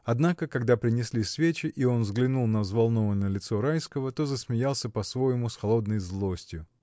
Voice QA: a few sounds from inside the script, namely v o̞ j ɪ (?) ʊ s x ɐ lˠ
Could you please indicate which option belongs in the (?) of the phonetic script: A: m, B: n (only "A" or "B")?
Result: A